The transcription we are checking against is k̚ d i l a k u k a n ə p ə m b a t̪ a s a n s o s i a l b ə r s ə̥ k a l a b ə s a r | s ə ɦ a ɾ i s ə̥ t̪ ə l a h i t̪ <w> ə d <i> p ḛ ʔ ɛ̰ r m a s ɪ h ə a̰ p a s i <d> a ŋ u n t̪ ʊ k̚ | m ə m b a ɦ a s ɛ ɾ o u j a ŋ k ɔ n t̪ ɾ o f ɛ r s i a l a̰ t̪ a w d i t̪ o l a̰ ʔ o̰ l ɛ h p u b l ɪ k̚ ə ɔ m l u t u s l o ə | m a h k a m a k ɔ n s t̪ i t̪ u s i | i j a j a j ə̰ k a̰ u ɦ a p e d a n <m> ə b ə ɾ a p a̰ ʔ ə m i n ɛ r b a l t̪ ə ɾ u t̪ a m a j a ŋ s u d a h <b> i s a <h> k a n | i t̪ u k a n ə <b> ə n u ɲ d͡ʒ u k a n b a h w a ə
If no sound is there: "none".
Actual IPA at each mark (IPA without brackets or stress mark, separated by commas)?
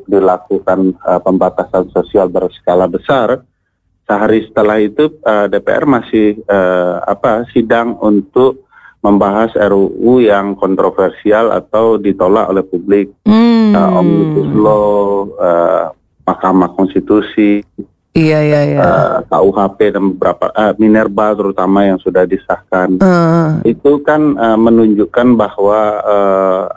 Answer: u, e, d, b, d, h, m